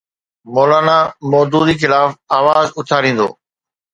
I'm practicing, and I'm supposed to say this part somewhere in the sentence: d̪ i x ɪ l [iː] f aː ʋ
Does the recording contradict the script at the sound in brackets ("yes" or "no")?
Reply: yes